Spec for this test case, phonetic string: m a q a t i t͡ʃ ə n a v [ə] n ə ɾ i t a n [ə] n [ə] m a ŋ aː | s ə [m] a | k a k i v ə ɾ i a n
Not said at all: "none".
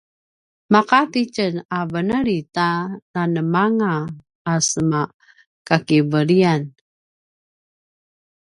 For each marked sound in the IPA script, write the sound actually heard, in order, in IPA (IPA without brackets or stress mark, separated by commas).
ə, a, ə, m